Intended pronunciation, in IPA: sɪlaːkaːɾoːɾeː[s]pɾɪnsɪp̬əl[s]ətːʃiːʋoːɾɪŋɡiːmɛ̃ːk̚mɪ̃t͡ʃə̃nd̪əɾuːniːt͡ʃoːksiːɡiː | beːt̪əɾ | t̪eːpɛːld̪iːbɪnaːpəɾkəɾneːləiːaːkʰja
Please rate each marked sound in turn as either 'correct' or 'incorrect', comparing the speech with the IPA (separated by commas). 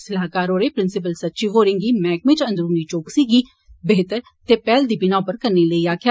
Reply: incorrect, correct